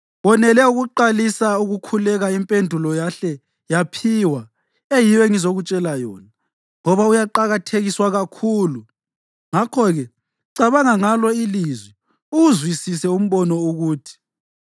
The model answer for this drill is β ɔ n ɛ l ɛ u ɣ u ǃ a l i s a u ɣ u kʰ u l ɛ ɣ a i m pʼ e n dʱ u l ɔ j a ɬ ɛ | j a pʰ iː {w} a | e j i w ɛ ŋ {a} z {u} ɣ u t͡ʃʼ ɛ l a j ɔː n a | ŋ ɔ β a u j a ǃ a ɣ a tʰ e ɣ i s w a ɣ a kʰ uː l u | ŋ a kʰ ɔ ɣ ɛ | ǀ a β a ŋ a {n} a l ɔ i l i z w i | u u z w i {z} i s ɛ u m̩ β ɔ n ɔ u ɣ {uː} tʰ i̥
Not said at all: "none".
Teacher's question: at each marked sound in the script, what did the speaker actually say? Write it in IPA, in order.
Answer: w, i, o, ŋ, s, uː

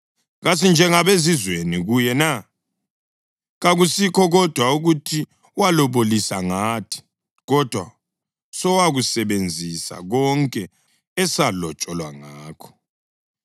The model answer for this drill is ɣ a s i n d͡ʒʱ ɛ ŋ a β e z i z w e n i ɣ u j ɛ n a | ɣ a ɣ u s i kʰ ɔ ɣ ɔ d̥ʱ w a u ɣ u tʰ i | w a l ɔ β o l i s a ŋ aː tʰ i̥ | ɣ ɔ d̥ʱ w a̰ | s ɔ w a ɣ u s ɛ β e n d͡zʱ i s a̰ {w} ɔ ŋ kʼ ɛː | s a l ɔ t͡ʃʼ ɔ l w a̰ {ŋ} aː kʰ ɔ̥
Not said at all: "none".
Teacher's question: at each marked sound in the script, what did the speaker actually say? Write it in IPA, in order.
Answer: ɣ, ŋ

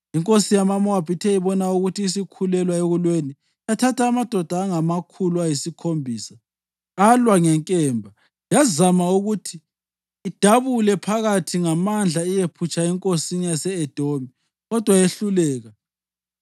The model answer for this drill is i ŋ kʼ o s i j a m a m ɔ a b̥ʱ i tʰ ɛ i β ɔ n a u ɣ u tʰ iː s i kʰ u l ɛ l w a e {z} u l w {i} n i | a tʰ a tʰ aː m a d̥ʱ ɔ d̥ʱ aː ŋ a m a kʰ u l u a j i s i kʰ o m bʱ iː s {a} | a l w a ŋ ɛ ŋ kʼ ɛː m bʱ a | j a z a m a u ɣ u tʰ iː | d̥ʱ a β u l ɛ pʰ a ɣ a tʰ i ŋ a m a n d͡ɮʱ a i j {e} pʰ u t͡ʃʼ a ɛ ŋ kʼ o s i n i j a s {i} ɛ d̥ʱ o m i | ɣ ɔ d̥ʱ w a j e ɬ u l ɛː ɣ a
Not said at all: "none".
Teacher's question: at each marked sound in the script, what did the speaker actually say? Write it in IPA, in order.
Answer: ɣ, e, a, e, ɛ

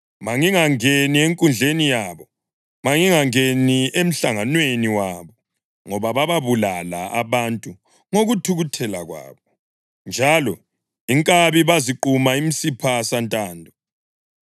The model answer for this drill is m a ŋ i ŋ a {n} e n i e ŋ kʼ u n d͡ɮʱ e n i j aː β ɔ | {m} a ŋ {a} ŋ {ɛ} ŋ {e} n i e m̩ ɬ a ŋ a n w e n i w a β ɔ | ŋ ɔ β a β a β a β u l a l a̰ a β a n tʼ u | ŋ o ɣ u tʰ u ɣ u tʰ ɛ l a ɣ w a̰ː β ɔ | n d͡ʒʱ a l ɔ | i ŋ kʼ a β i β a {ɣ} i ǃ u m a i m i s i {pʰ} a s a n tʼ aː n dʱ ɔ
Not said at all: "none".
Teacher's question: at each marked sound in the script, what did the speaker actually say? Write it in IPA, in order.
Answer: ŋ, m, i, a, e, z, pʰ

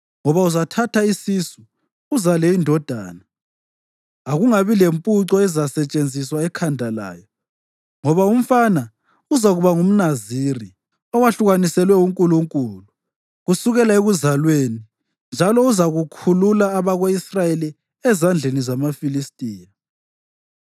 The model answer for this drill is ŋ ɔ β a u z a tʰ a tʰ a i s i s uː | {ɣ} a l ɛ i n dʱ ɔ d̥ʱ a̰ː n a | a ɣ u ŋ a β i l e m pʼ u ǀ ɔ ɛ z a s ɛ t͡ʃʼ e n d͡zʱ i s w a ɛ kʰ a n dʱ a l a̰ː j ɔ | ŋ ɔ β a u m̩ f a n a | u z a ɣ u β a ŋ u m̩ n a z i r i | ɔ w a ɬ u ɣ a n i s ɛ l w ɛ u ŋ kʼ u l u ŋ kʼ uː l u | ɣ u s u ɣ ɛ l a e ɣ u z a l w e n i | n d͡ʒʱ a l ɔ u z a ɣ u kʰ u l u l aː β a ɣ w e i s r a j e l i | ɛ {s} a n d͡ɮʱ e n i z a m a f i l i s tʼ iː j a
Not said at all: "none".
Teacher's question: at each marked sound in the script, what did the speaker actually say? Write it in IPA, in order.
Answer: z, z

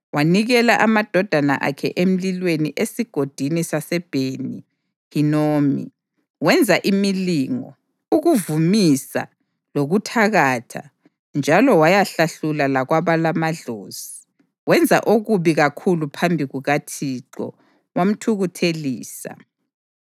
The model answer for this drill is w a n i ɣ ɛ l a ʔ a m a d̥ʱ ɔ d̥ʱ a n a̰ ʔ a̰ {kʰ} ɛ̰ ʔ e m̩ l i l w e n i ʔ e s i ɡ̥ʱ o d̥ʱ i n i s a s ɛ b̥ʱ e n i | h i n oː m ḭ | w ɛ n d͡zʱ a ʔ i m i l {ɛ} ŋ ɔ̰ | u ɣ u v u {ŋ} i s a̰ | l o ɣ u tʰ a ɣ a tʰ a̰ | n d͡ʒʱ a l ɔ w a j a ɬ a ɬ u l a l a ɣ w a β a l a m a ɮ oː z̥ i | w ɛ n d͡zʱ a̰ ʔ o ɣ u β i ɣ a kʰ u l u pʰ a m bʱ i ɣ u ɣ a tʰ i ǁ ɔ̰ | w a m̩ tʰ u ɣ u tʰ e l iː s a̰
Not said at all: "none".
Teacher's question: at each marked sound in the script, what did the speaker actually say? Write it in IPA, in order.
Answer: kʰ, i, m

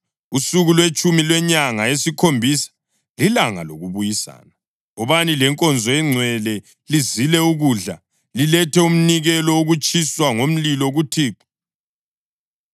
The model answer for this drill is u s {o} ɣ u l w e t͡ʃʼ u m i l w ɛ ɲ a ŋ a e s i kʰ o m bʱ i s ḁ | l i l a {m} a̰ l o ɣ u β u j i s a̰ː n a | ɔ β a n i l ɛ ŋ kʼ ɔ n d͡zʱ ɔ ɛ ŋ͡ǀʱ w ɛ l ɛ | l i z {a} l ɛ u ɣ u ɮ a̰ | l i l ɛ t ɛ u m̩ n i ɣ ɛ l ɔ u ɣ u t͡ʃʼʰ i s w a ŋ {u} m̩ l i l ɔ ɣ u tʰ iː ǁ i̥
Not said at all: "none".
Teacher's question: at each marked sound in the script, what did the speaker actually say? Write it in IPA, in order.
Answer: u, ŋ, i, o

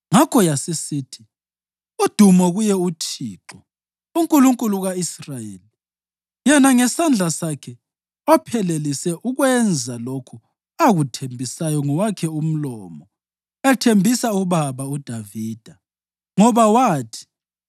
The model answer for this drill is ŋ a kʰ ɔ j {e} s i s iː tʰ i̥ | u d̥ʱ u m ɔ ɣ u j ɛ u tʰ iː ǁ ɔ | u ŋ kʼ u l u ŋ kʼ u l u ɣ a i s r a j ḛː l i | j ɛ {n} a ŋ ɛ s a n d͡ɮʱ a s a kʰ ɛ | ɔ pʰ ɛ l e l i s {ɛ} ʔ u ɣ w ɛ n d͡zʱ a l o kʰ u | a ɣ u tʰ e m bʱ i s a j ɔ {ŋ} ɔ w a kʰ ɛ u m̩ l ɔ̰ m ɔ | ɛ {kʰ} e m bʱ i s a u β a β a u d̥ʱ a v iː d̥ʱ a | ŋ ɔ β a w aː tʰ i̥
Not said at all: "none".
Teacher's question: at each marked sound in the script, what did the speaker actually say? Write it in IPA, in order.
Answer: a, n, ɛ, ŋ, tʰ

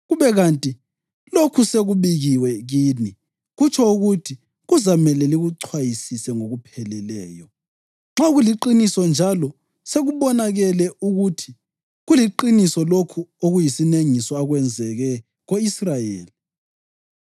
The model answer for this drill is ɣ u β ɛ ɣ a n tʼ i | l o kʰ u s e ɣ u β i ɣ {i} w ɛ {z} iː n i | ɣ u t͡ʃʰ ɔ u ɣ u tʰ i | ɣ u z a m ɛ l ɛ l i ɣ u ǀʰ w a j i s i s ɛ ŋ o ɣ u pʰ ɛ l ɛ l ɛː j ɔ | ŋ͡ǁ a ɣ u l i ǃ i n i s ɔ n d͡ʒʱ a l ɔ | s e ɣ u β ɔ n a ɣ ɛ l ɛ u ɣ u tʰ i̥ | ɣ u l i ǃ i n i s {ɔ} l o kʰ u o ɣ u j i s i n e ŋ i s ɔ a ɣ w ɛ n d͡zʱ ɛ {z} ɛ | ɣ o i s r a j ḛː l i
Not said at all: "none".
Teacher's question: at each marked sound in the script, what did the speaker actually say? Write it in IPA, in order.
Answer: i, ɣ, ɔ, ɣ

